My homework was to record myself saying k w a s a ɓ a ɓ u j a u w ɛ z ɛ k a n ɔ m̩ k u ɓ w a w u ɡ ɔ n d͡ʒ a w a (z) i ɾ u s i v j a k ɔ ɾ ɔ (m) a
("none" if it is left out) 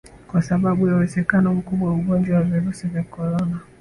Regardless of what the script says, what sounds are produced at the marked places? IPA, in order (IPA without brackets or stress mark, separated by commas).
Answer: v, n